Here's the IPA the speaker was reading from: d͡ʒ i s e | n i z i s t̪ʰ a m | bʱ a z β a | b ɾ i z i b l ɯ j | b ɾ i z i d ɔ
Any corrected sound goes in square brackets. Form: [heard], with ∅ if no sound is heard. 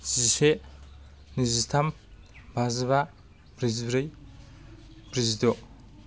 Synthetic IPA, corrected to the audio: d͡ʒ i s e | n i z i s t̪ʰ a m | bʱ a z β a | b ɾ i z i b [ɾ] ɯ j | b ɾ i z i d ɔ